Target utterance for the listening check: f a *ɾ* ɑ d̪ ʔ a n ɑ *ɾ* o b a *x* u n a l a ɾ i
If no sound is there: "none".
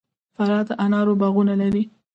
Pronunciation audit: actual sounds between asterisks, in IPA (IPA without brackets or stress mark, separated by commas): ɾ, ɾ, ɣ